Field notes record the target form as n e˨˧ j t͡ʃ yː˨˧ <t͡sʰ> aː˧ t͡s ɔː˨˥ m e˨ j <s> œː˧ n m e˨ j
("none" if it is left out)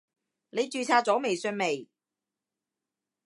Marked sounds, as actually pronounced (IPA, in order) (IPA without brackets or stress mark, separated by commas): t͡sʰ, s